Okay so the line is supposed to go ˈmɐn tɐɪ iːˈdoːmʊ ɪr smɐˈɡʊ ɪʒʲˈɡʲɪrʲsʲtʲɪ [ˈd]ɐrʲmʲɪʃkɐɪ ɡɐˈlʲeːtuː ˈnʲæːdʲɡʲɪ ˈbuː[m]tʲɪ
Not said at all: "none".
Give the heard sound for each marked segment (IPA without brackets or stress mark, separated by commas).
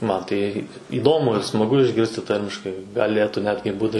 t, none